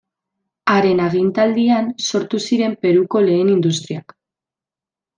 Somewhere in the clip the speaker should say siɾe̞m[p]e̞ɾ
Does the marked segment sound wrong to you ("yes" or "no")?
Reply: no